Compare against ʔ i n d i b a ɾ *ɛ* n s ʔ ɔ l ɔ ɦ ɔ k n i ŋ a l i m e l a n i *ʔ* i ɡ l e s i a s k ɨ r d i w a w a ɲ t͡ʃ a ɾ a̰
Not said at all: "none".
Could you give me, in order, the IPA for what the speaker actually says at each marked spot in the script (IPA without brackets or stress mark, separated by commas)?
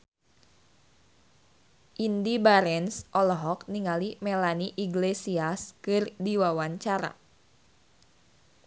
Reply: ɛ, ʔ